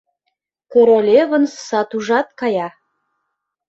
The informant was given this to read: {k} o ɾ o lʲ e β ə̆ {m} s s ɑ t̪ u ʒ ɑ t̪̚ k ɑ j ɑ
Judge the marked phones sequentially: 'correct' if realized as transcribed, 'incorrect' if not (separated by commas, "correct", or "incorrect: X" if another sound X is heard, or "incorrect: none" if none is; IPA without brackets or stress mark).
correct, incorrect: n